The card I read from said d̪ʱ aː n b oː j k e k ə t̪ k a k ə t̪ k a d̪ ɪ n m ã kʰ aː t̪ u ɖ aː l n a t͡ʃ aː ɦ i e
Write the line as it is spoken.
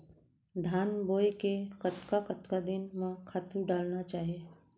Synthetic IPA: d̪ʱ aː n b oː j k e k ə t̪ k a k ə t̪ k a d̪ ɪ n m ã kʰ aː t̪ u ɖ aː l n a t͡ʃ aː ɦ i e